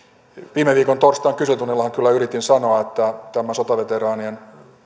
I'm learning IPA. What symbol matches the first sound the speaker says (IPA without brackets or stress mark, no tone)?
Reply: ʋ